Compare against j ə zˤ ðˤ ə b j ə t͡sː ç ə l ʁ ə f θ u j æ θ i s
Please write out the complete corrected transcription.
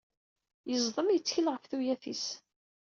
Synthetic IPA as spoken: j ə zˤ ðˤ ə m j ə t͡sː ç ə l ʁ ə f θ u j æ θ i s